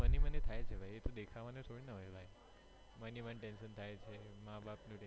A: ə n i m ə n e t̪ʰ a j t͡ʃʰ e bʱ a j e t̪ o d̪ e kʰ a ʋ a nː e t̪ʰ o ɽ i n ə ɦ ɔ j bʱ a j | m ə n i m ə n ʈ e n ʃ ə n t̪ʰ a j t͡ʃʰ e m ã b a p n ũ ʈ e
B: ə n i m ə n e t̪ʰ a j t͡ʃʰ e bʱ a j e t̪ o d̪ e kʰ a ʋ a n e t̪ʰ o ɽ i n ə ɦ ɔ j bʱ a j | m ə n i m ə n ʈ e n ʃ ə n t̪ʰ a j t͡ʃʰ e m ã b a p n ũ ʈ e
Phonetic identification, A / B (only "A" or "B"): B